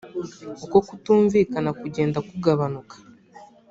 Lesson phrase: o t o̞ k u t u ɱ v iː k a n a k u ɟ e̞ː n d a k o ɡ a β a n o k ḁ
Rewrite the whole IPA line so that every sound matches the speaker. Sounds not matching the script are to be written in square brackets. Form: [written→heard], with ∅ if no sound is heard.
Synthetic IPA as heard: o [t→k] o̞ k u t [u→uː] ɱ v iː k a n a k u ɟ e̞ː n d a k [o→u] ɡ a β a n [o→u] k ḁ

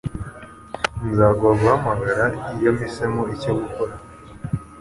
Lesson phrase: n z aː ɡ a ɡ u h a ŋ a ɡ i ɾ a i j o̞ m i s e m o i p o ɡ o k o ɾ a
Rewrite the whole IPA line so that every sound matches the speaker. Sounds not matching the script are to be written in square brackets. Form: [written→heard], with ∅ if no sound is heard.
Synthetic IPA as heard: n z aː ɡ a ɡ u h a [ŋ→m] a ɡ [i→a] ɾ a i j o̞ m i s e m o i [p→c] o ɡ [o→u] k o ɾ a

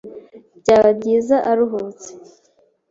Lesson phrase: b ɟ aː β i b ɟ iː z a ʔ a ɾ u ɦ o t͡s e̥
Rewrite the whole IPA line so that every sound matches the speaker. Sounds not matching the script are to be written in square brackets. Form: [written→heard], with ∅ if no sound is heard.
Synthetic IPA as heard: b ɟ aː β [i→a] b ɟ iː z a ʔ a ɾ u ɦ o t͡s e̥

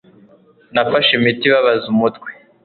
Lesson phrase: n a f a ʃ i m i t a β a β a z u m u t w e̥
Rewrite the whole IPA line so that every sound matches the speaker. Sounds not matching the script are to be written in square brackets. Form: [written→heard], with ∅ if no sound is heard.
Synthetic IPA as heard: n a f a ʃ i m i t [a→i] β a β a z u m u t w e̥

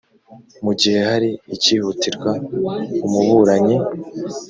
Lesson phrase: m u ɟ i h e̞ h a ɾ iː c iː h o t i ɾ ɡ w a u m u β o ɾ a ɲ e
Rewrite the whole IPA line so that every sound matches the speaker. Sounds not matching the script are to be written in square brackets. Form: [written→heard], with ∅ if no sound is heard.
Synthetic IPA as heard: m u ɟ i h e̞ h a ɾ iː c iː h [o→u] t i ɾ ɡ w a u m u β [o→u] ɾ a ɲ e

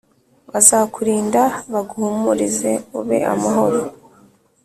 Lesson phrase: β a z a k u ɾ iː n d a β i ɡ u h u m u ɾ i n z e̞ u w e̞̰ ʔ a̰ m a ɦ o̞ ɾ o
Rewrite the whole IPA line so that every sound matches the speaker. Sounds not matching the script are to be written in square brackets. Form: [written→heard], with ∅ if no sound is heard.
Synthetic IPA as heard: β a z a k u ɾ iː n d a β [i→a] ɡ u h u m u ɾ i [n→∅] z e̞ u [w→β] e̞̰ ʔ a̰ m a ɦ o̞ ɾ o

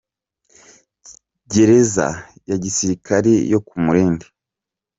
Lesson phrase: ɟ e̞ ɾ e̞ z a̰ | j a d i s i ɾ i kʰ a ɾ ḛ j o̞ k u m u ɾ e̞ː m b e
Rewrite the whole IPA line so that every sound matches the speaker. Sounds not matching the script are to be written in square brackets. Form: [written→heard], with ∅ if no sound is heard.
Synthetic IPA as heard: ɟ e̞ ɾ e̞ z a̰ | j a [d→ɟ] i s i ɾ i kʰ a ɾ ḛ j o̞ k u m u ɾ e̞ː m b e

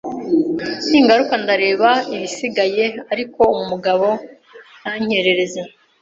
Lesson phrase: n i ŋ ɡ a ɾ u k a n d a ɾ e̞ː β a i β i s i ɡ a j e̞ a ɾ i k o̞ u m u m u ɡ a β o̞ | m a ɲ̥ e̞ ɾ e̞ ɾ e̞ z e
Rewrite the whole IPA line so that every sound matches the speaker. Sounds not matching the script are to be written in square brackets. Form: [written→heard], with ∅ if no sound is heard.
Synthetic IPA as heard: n i ŋ ɡ a ɾ u k a n d a ɾ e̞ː β a i β i s i ɡ a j e̞ a ɾ i k o̞ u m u m u ɡ a β o̞ | [m→n] a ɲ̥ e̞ ɾ e̞ ɾ e̞ z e

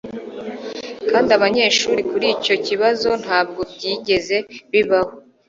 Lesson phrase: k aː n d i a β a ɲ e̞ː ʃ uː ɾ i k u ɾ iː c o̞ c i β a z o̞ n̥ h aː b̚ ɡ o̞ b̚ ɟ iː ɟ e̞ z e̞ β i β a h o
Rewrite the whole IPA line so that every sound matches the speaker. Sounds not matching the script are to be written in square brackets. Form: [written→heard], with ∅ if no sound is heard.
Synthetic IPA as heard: k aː n d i a β a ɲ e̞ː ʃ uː ɾ i k u ɾ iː c o̞ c i β a z o̞ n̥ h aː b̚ ɡ o̞ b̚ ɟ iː ɟ e̞ z e̞ β i β a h o

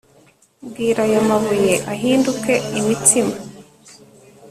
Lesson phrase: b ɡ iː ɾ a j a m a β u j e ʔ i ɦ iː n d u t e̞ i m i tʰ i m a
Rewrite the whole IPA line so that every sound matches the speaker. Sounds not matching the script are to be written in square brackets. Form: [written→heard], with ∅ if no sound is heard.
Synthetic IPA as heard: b ɡ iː ɾ a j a m a β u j e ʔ [i→a] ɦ iː n d u [t→k] e̞ i m i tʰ i m a

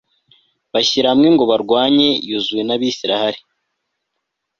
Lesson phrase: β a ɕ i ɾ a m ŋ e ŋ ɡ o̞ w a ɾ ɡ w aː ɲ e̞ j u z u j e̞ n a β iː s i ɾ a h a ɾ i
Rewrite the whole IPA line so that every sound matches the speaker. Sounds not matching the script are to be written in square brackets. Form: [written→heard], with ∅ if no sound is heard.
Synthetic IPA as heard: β a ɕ i ɾ a m ŋ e ŋ ɡ o̞ [w→β] a ɾ ɡ w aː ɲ e̞ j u z u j e̞ n a β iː s i ɾ a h a ɾ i

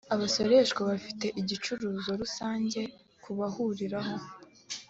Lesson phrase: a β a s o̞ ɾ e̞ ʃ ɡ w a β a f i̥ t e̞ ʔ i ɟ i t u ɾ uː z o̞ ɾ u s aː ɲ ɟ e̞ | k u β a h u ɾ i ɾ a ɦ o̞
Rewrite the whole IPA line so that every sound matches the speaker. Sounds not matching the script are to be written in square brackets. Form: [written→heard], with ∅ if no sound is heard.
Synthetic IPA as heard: a β a s o̞ ɾ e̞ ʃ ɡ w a β a f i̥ t e̞ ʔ i ɟ i [t→t͡ʃ] u ɾ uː z o̞ ɾ u s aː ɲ ɟ e̞ | k u β a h u ɾ i ɾ a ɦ o̞

